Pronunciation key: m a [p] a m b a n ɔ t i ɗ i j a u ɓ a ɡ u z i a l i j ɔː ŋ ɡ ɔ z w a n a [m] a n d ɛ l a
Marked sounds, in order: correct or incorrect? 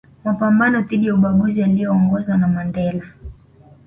correct, correct

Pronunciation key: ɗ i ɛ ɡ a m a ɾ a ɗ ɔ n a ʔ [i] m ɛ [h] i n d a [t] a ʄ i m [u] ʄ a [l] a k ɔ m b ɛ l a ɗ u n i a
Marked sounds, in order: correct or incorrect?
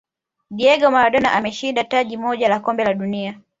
incorrect: a, incorrect: ʃ, correct, incorrect: ɔ, correct

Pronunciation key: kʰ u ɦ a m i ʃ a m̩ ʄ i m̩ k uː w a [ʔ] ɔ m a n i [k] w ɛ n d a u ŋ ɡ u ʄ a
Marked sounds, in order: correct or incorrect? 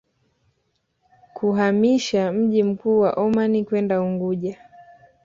correct, correct

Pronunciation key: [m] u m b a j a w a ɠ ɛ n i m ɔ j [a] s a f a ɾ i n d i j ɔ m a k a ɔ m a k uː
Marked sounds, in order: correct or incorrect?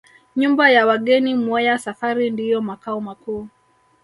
incorrect: ɲ, correct

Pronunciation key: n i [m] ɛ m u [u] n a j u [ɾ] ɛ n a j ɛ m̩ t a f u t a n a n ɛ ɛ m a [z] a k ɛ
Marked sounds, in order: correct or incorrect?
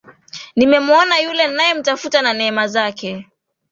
correct, incorrect: ɔ, incorrect: l, correct

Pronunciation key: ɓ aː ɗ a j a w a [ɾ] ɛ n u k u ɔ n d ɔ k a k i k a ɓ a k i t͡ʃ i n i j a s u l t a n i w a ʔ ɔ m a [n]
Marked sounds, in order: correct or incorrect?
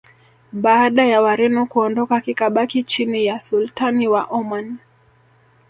correct, correct

